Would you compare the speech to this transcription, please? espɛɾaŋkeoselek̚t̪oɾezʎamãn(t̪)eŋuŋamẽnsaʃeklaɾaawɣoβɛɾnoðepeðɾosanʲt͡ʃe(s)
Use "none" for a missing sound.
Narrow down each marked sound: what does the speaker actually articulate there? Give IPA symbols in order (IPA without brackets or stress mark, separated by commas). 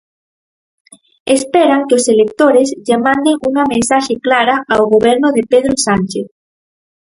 d̪, θ